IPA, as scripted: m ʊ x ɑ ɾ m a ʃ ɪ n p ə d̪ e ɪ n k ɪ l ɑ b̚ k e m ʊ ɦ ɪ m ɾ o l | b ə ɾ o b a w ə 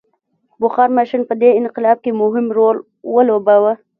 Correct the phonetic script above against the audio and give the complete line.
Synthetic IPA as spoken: b ʊ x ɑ ɾ m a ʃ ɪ n p ə d̪ e ɪ n q ɪ l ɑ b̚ k e m ʊ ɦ ɪ m ɾ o l | w ə l o b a w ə